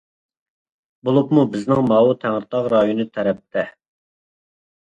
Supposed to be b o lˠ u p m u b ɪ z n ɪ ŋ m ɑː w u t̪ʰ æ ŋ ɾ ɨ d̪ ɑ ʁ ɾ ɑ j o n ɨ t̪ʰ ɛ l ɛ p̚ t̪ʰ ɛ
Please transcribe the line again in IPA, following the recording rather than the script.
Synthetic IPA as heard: b o lˠ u p m u b ɪ z n ɪ ŋ m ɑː w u t̪ʰ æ ŋ ɾ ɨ t̪ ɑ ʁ ɾ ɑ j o n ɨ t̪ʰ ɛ ɾ ɛ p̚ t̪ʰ ɛ